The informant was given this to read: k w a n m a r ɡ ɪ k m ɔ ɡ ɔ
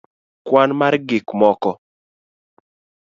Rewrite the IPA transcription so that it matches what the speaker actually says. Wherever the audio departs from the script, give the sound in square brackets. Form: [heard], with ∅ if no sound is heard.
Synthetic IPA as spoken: k w a n m a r ɡ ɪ k m ɔ [k] ɔ